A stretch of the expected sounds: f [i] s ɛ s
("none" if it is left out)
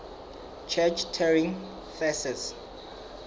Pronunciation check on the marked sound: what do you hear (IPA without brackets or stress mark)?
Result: ɛ